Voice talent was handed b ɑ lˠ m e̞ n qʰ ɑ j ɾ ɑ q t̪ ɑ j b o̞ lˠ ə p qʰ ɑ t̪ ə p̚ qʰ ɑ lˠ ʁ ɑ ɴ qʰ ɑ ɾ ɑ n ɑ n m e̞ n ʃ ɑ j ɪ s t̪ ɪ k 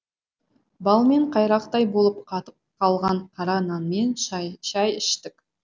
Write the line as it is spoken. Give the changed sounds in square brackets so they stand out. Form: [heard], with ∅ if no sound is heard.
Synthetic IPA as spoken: b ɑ lˠ m e̞ [ɴ] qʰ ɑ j ɾ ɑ q t̪ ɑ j b o̞ lˠ ə p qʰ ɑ t̪ ə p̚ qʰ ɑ lˠ ʁ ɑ ɴ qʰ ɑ ɾ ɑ n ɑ n m e̞ n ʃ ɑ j ɪ [ʃ] t̪ ɪ k